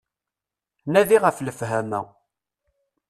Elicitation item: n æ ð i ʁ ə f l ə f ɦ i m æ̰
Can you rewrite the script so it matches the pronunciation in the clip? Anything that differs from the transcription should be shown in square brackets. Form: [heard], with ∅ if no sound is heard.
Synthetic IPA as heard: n æ ð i ʁ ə f l ə f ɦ [æ] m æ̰